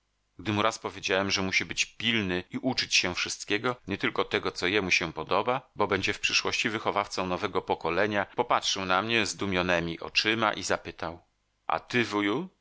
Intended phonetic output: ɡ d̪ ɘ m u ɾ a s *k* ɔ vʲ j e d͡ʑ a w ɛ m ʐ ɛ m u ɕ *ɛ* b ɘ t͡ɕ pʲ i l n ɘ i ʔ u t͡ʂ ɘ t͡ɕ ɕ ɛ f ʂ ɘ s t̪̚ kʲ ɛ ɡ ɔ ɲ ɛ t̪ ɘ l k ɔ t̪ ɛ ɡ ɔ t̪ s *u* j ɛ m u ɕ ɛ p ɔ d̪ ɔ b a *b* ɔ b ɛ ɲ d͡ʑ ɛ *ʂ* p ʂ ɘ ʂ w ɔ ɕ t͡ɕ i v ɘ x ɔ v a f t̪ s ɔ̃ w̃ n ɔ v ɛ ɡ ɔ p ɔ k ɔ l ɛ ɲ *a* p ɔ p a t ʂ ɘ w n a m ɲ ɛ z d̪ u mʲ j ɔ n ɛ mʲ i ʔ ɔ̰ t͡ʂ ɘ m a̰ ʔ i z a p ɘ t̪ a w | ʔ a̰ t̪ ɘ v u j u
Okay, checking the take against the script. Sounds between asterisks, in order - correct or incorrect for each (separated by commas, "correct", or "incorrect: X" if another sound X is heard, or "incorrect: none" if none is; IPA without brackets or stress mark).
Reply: incorrect: p, incorrect: i, incorrect: ɔ, correct, incorrect: f, correct